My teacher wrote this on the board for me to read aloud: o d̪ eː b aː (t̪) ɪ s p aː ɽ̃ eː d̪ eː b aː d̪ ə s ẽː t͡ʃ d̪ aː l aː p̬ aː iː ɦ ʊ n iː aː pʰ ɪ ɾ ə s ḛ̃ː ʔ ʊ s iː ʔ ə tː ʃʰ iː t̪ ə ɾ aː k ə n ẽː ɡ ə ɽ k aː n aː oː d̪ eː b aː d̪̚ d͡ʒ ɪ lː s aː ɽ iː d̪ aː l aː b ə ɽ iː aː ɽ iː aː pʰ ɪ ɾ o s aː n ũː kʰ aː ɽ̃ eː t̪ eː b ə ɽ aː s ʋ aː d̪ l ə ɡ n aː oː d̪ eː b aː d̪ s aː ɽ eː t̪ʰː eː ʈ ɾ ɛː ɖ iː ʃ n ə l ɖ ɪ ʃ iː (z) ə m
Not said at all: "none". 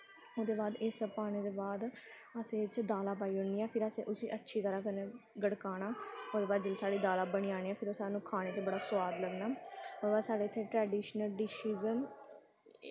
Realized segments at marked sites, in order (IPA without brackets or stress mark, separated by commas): d̪, z